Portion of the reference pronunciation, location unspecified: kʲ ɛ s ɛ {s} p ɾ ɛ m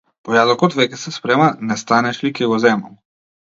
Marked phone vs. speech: correct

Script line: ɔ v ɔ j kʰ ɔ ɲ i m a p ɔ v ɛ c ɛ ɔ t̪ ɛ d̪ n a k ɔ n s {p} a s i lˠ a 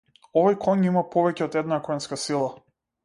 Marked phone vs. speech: incorrect: k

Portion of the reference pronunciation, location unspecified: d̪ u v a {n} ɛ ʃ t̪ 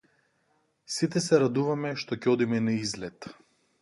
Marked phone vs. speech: incorrect: m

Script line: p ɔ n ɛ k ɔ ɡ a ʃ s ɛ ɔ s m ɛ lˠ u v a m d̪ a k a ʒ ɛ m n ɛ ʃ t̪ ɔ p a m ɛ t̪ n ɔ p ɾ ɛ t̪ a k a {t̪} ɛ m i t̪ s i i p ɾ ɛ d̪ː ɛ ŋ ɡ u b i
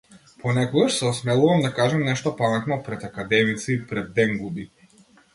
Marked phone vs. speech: incorrect: d̪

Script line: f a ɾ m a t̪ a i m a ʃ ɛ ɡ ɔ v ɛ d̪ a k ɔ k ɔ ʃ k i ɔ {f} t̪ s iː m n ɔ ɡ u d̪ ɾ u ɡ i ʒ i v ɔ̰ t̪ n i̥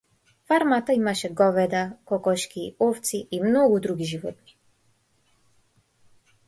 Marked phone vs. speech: correct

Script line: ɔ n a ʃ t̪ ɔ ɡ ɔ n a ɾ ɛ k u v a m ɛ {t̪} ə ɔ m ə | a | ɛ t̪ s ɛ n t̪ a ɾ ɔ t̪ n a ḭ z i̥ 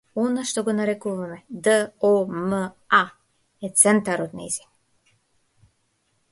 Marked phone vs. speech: incorrect: d̪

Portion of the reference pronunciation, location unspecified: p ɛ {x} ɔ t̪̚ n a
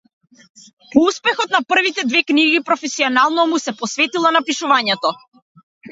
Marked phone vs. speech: correct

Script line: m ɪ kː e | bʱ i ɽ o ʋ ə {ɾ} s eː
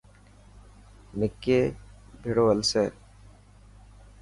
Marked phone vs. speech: incorrect: l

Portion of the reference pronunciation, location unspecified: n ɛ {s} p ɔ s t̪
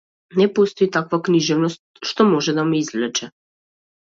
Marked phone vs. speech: incorrect: none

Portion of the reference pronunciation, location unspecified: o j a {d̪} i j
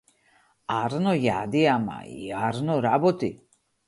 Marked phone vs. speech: correct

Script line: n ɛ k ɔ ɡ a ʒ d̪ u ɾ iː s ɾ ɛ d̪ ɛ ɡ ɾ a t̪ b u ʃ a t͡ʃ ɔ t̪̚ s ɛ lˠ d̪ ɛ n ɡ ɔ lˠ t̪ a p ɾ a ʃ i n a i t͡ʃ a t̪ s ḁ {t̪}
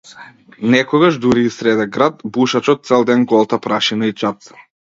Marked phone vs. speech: incorrect: none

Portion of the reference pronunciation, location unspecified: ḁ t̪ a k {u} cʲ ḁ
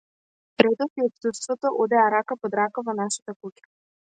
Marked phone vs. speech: correct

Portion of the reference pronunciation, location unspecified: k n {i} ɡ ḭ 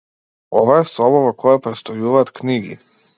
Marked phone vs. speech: correct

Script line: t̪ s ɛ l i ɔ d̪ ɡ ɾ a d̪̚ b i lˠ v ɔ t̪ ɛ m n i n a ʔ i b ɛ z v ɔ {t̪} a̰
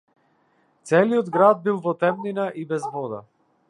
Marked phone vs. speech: incorrect: d̪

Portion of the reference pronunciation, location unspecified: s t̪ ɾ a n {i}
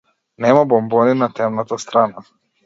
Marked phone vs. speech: incorrect: a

